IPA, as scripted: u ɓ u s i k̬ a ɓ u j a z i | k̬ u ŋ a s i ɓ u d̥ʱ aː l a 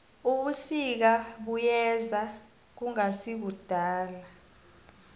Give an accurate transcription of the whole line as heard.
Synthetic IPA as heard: u ɓ u s i k̬ a ɓ u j ɛ z a | k̬ u ŋ a s i ɓ u d̥ʱ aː l a

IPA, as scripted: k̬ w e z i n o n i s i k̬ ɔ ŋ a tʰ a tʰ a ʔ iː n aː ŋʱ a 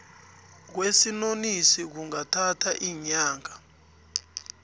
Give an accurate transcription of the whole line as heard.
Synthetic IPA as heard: k̬ w e s i n o n i s i k̬ u ŋ a tʰ a tʰ a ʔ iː ɲ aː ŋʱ a

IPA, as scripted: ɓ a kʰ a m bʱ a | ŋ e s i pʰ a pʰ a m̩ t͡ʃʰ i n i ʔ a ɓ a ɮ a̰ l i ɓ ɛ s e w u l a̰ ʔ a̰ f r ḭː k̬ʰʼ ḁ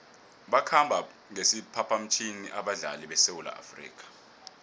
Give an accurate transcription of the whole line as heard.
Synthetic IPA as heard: ɓ a kʰ a m bʱ a | ŋ e s i pʰ a pʰ a m̩ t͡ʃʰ i n i ʔ a ɓ a ɮ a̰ l i ɓ ɛ s e w u l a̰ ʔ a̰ f r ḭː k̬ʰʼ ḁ

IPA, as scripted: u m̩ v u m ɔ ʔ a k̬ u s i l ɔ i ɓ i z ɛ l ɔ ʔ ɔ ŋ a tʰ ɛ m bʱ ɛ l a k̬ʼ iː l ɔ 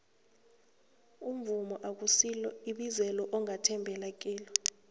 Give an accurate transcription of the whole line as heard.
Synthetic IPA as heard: u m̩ v u m ɔ ʔ a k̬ u s i l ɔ i ɓ i z ɛ l ɔ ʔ ɔ ŋ a tʰ ɛ m bʱ ɛ l a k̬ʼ iː l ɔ

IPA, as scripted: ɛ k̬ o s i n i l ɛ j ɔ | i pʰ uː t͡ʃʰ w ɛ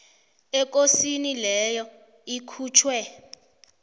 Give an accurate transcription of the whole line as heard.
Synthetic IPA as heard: ɛ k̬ o s i n i l ɛ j ɔ | i kʰ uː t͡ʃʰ w ɛ

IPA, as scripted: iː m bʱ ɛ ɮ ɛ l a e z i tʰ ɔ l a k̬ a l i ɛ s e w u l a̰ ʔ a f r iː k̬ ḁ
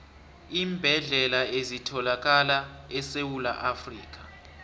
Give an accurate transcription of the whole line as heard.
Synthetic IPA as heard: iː m bʱ ɛ ɮ ɛ l a e z i tʰ ɔ l a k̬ a l a ɛ s e w u l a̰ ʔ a f r iː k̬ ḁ

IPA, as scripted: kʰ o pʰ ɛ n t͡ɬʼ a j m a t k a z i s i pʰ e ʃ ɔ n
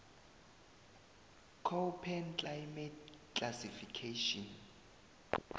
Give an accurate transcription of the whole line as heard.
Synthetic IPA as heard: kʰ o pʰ ɛ n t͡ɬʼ a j m ɛ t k a s i f i kʰ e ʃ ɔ n

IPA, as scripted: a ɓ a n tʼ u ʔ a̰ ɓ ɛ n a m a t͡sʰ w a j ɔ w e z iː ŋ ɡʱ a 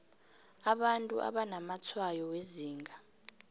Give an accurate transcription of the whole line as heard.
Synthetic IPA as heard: a ɓ a n tʼ u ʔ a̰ ɓ a n a m a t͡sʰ w a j ɔ w e z iː ŋ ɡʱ a

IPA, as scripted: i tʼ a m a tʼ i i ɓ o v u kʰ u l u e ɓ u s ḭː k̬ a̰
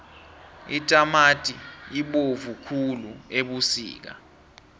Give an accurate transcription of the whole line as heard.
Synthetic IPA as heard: i tʼ a m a tʼ i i ɓ o v u kʰ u l u e ɓ u s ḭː k̬ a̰

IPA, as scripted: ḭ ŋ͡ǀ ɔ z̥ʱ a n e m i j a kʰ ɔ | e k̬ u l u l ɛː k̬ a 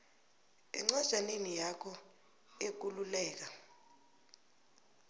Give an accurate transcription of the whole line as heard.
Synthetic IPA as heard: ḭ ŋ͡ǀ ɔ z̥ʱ a n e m i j a kʰ ɔ | e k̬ u l u l ɛː k̬ a

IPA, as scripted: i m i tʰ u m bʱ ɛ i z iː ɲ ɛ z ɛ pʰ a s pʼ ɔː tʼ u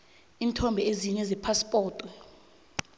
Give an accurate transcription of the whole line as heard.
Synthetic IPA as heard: i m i tʰ ɔ m bʱ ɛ e z i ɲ ɛ z ɛ pʰ a s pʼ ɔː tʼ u

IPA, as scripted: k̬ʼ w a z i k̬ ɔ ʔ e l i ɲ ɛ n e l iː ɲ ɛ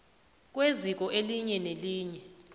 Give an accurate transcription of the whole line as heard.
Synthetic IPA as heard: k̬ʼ w e z i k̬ ɔ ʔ e l i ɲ ɛ n e l iː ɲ ɛ

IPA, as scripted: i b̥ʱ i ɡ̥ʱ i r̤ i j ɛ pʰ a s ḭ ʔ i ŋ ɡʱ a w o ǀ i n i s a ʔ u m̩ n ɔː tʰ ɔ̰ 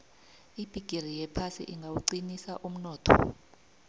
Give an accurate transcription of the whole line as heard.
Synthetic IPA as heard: i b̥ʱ i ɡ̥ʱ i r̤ i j ɛ pʰ a s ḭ ʔ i ŋ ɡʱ a w u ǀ i n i s a ʔ u m̩ n ɔː tʰ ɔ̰

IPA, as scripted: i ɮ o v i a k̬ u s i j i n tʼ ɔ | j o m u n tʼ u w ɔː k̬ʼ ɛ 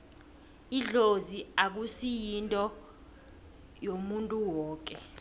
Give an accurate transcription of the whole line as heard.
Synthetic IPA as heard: i ɮ o z i a k̬ u s i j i n tʼ ɔ | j o m u n tʼ u w ɔː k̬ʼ ɛ

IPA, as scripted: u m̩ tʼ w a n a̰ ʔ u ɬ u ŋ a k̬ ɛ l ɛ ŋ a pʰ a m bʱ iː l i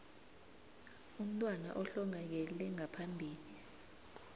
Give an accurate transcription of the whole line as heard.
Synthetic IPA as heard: u m̩ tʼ w a n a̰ ʔ ɔ ɬ ɔ ŋ a k̬ ɛ l ɛ ŋ a pʰ a m bʱ iː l i

